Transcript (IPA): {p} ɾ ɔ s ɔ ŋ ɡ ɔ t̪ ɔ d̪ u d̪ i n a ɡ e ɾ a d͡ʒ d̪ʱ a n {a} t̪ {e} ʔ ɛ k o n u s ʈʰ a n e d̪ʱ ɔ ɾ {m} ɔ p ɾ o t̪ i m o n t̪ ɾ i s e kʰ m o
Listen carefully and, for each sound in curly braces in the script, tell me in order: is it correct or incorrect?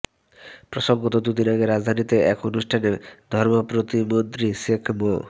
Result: correct, incorrect, correct, correct

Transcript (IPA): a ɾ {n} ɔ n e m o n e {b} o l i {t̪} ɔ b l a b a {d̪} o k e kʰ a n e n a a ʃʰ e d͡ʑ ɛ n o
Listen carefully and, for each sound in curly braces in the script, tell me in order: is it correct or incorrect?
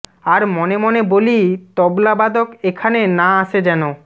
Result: incorrect, correct, correct, correct

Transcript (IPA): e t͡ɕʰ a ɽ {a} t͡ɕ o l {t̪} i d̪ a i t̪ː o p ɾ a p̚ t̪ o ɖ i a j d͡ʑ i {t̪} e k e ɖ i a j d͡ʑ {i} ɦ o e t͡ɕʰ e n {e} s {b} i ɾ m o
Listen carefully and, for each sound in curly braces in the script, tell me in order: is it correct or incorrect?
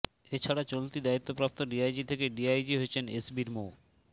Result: correct, correct, incorrect, correct, correct, correct

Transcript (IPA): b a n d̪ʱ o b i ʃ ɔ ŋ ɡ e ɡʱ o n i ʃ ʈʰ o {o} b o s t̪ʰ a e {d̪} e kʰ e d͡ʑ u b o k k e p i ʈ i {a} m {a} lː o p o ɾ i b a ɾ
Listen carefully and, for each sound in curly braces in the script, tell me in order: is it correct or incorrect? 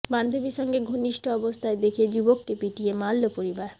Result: incorrect, correct, incorrect, correct

